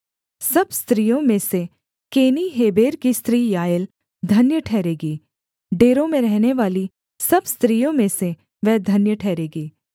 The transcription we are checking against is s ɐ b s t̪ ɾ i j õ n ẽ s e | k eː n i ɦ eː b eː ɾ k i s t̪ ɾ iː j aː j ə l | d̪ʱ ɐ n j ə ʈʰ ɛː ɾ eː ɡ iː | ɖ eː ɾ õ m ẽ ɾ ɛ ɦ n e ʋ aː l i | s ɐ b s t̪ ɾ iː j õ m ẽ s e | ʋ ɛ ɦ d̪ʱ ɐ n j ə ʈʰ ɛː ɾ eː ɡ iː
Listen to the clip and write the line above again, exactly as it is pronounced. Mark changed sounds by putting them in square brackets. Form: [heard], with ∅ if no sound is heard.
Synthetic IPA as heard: s ɐ b s t̪ ɾ i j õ [m] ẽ s e | k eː n i ɦ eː b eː ɾ k i s t̪ ɾ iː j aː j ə l | d̪ʱ ɐ n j ə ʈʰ ɛː ɾ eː ɡ iː | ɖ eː ɾ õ m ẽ ɾ ɛ ɦ n e ʋ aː l i | s ɐ b s t̪ ɾ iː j õ m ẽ s e | ʋ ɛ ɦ d̪ʱ ɐ n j ə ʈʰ ɛː ɾ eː ɡ iː